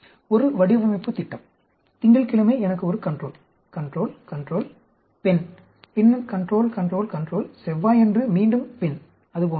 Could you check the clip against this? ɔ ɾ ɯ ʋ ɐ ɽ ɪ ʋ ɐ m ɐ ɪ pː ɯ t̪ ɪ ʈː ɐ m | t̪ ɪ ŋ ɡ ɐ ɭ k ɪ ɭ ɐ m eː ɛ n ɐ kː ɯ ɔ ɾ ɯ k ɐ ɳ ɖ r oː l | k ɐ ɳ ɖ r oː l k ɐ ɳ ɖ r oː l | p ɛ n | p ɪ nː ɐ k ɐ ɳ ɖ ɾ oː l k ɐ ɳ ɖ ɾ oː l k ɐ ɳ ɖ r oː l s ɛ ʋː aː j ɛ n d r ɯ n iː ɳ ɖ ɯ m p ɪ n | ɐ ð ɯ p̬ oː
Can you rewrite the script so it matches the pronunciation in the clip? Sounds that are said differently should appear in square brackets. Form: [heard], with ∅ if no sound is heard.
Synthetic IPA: ɔ ɾ ɯ ʋ ɐ ɽ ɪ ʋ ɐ m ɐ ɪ pː ɯ t̪ ɪ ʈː ɐ m | t̪ ɪ ŋ ɡ ɐ ɭ k ɪ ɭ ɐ m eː ɛ n ɐ kː ɯ ɔ ɾ ɯ k ɐ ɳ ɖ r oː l | k ɐ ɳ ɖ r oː l k ɐ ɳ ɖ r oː l | p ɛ n | p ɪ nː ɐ k ɐ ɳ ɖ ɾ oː l k ɐ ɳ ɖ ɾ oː l k ɐ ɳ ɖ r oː l s ɛ ʋː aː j ɛ n d r ɯ [m] iː ɳ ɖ ɯ m p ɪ n | ɐ ð ɯ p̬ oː